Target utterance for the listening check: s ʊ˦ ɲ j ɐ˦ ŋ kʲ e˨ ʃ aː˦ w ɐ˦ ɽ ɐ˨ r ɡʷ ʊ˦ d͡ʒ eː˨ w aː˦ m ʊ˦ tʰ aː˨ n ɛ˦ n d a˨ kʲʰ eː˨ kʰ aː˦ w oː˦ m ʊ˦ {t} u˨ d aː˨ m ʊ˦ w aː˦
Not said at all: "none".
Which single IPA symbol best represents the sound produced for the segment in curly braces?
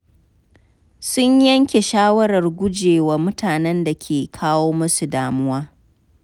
s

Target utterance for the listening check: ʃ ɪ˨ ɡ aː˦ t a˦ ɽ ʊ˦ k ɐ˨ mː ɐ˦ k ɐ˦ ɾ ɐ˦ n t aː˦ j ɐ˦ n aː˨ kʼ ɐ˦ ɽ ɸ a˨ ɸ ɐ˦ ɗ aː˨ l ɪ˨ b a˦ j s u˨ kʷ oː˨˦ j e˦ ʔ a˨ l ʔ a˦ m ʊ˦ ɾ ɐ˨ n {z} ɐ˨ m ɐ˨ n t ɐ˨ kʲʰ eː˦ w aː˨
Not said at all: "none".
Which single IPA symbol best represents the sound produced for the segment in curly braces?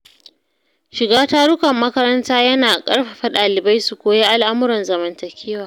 z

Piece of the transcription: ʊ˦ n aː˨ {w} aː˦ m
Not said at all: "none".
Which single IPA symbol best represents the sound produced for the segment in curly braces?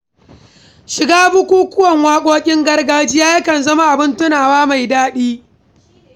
w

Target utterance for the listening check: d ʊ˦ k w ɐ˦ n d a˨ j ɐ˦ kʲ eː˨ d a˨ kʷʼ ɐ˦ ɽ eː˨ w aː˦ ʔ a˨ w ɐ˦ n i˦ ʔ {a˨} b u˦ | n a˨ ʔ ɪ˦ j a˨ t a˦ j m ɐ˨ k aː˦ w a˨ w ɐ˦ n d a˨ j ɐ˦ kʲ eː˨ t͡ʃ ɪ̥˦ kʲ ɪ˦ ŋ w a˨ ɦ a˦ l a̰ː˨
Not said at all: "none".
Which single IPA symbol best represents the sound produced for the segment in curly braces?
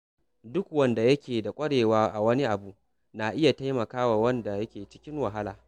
a˨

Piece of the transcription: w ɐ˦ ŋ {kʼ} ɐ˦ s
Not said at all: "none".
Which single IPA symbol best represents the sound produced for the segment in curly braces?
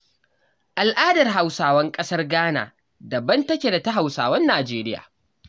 kʼ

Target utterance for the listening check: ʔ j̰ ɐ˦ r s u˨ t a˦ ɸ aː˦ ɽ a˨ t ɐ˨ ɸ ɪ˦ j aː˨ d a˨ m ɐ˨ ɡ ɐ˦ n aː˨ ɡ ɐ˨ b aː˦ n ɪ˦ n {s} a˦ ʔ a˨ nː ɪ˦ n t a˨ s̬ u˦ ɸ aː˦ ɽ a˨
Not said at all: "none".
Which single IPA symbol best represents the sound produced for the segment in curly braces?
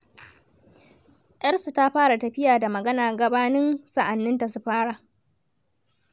s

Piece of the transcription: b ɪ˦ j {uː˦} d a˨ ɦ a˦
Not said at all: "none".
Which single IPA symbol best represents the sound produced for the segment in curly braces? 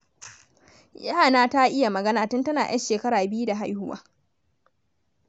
u˦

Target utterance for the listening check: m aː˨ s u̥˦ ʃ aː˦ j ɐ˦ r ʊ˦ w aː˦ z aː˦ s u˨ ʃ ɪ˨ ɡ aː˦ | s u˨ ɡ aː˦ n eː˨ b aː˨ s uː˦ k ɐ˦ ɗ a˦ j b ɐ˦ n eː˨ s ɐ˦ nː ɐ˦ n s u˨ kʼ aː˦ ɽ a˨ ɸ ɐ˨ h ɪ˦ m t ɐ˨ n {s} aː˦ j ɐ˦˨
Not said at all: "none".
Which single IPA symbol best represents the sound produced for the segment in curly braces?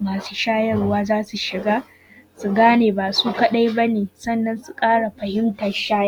ʃ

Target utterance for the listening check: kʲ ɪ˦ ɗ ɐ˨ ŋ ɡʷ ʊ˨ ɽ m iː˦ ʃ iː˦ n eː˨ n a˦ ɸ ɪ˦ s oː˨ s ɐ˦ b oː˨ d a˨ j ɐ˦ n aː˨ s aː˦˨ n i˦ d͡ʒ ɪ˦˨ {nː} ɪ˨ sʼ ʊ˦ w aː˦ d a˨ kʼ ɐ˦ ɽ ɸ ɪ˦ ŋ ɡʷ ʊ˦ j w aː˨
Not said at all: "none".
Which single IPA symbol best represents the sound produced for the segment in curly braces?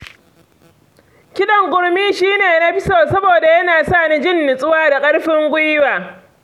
nː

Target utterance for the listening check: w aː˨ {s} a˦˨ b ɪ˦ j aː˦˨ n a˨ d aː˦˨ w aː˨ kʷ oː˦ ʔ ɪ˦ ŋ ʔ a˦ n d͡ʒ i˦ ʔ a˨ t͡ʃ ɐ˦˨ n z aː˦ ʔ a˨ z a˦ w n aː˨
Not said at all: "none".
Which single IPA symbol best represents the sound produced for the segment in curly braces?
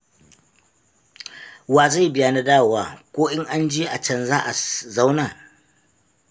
z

